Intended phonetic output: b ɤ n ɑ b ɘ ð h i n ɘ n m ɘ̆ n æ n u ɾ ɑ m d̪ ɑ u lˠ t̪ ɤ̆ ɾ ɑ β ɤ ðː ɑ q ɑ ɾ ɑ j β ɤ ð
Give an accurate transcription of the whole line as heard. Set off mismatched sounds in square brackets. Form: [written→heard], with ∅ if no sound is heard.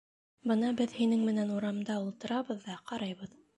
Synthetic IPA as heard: b ɤ n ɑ b ɘ ð h i n ɘ [n→ŋ] m ɘ̆ n æ n u ɾ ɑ m d̪ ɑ u lˠ t̪ ɤ̆ ɾ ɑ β ɤ ðː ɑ q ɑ ɾ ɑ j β ɤ ð